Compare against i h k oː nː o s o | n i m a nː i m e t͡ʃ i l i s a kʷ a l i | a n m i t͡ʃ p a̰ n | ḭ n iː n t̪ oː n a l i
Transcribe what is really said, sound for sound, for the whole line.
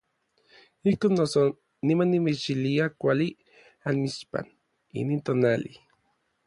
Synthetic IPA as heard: i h k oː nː o s o | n i m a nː i m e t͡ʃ i l i a kʷ a l i | a n m i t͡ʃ p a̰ n | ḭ n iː n t̪ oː n a l i